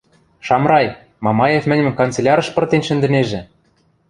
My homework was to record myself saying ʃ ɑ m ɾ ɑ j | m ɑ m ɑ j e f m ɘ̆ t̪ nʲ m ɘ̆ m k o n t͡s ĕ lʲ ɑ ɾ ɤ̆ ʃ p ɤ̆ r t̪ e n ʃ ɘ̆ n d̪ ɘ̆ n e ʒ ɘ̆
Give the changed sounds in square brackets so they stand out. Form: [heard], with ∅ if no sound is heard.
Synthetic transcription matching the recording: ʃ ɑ m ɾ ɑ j | m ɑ m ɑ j e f m ɘ̆ [∅] nʲ m ɘ̆ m k o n t͡s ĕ lʲ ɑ ɾ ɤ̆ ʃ p ɤ̆ r t̪ e n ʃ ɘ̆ n d̪ ɘ̆ n e ʒ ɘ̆